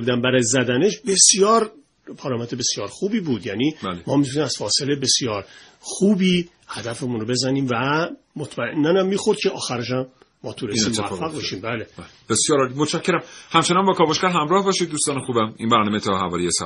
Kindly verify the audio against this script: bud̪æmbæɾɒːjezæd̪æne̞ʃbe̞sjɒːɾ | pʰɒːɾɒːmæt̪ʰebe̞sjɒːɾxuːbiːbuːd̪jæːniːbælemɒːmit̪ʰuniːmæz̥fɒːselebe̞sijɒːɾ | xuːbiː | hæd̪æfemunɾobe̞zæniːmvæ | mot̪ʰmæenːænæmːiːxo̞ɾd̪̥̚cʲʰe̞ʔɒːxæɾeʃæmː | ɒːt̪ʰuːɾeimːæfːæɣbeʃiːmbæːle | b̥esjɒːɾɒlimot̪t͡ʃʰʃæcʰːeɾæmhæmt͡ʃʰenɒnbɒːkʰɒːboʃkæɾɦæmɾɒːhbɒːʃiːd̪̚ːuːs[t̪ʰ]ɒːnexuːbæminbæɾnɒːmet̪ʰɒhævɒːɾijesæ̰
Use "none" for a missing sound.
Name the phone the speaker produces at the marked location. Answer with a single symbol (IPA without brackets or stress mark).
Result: t̪